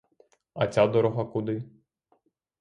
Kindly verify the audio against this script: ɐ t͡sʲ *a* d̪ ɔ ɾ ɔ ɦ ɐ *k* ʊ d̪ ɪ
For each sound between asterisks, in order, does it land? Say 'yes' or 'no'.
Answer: yes, yes

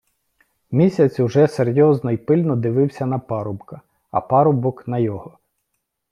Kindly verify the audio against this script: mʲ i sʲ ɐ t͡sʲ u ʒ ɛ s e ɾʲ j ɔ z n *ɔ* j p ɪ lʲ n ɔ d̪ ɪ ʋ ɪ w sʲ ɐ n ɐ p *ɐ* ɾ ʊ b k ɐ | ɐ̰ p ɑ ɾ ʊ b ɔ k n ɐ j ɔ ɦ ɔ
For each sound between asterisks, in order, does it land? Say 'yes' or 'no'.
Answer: yes, no

